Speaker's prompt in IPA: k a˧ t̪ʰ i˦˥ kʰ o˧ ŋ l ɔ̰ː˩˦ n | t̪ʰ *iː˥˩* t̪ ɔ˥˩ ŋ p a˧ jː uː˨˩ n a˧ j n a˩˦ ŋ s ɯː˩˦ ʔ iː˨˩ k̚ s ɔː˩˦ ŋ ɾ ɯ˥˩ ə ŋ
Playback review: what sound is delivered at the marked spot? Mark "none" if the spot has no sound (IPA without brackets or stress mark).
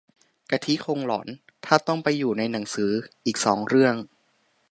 aː˥˩